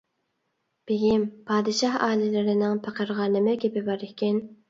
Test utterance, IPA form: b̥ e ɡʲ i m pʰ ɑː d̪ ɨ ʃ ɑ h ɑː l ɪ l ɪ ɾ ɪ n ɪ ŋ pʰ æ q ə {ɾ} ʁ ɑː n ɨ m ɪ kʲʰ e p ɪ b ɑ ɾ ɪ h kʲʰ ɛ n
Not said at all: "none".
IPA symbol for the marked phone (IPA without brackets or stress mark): ɾ